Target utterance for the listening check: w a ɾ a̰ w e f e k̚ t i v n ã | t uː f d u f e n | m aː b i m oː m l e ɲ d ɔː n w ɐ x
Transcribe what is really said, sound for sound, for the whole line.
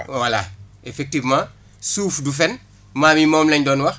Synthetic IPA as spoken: w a l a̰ e f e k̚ t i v m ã | s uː f d u f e n | m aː m i m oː m l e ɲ d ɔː n w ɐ x